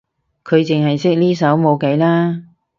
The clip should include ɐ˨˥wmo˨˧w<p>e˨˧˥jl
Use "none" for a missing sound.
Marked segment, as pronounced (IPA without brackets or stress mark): k